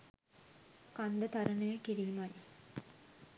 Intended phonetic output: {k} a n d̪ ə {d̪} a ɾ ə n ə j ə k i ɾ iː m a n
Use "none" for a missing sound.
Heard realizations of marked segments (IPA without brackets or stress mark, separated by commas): k, t̪